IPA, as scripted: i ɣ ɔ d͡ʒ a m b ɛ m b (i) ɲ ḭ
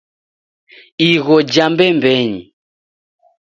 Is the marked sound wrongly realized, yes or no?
yes